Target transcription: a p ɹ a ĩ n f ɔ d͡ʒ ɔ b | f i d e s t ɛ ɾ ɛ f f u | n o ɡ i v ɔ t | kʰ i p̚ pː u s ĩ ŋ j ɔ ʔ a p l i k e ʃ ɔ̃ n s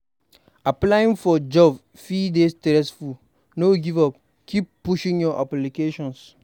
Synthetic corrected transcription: a p l a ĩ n f ɔ d͡ʒ ɔ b | f i d e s t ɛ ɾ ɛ s f u | n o ɡ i v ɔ p | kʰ i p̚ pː u ʃ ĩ ŋ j ɔ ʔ a p l i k e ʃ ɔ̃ n s